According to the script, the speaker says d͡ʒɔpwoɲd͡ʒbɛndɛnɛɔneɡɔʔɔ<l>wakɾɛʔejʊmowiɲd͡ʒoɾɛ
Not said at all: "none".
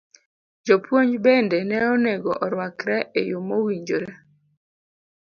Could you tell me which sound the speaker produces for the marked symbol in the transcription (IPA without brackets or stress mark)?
ɾ